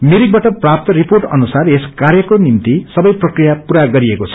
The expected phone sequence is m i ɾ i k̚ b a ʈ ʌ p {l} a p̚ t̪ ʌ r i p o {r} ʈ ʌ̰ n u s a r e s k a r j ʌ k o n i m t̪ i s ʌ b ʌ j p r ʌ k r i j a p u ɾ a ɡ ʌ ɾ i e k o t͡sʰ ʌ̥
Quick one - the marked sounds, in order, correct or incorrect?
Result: incorrect: r, correct

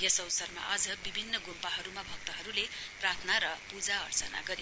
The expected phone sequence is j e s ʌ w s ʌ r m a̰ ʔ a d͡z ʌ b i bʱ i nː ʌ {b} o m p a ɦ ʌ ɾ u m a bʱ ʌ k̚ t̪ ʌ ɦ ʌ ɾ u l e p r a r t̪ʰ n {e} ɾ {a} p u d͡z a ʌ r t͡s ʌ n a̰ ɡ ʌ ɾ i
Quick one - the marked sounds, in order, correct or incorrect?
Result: incorrect: ɡ, incorrect: a, incorrect: ʌ

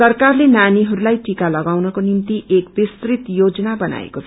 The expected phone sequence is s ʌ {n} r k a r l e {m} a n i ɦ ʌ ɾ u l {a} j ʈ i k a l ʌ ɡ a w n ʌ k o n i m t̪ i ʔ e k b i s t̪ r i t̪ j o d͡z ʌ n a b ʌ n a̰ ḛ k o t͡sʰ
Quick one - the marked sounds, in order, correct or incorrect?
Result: incorrect: none, incorrect: n, correct

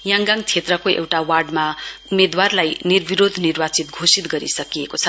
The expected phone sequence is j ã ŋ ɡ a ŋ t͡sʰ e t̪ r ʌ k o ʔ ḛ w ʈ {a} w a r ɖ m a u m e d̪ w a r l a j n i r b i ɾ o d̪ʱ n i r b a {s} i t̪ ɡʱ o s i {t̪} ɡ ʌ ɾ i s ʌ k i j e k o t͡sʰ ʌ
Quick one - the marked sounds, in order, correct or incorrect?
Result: correct, incorrect: t͡s, correct

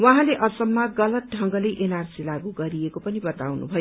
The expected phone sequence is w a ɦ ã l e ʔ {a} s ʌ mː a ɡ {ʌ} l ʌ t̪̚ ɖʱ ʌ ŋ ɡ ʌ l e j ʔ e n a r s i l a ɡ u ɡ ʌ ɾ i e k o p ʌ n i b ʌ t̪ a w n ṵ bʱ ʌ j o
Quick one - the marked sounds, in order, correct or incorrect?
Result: incorrect: ʌ, correct

